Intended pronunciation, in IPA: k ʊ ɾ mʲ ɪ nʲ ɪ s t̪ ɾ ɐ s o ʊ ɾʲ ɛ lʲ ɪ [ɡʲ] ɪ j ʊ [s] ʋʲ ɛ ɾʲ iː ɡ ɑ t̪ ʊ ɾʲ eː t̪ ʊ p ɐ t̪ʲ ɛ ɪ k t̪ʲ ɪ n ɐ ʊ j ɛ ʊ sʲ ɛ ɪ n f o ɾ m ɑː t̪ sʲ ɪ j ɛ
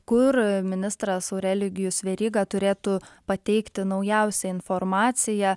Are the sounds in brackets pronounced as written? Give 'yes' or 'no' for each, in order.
yes, yes

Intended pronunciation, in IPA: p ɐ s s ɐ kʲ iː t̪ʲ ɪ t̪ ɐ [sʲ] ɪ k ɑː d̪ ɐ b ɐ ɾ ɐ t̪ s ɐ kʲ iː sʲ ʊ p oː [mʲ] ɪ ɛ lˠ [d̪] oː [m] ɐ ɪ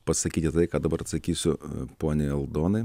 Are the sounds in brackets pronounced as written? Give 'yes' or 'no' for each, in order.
no, no, yes, no

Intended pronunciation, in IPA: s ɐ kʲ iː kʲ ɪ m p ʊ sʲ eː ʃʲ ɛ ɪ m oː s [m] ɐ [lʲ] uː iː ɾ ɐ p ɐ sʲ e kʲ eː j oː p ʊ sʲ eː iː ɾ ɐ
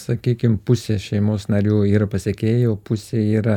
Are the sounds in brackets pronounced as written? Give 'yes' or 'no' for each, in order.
no, no

